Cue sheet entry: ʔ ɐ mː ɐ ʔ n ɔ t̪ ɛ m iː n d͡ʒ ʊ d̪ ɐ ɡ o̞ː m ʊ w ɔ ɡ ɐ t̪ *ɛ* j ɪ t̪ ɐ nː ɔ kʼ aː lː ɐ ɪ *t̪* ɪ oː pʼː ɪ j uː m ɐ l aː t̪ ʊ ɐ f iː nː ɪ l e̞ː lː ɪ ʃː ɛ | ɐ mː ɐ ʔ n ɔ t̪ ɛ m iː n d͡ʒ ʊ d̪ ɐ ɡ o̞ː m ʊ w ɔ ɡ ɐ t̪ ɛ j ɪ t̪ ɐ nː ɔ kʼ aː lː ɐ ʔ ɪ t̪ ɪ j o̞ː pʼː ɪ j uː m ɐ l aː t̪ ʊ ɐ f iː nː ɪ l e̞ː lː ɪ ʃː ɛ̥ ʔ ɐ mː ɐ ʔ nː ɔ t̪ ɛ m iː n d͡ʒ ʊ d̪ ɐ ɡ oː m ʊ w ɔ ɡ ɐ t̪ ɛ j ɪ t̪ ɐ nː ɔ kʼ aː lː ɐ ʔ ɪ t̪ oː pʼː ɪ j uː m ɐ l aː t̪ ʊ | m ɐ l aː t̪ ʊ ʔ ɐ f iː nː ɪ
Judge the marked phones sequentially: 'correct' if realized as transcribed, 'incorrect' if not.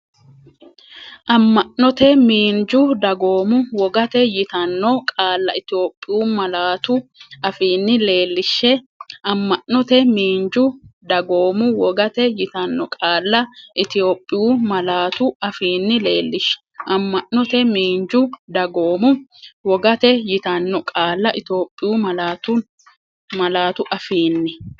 correct, correct

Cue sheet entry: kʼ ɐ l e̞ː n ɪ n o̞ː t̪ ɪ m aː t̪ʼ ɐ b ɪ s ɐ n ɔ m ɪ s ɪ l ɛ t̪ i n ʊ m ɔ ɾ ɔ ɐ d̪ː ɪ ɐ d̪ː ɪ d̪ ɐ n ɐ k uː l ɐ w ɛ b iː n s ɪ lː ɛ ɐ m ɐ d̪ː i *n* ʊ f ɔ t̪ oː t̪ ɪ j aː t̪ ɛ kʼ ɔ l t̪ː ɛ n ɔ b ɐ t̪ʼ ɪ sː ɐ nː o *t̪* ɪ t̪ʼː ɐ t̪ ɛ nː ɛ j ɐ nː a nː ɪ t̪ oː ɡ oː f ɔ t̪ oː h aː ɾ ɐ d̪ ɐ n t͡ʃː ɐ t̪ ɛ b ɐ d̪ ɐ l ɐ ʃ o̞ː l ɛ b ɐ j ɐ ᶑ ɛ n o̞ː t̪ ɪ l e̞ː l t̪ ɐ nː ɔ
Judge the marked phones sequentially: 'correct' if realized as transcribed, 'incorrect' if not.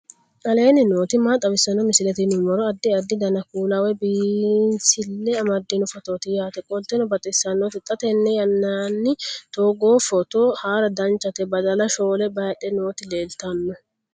correct, correct

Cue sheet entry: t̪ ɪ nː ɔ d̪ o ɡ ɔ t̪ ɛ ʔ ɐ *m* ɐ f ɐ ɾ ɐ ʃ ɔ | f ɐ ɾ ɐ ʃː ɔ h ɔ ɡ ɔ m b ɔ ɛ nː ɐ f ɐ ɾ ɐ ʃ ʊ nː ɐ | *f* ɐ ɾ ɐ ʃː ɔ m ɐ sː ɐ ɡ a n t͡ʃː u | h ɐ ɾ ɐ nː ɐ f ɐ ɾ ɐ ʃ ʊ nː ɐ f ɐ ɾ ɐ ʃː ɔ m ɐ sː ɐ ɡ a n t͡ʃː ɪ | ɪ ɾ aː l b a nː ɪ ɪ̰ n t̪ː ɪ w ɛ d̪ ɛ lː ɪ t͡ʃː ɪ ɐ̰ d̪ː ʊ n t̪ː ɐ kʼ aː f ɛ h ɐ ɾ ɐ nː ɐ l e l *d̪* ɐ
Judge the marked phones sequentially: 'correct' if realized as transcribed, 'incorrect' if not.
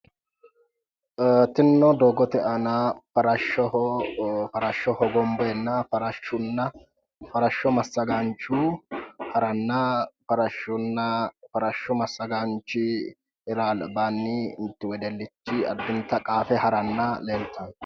incorrect, correct, incorrect

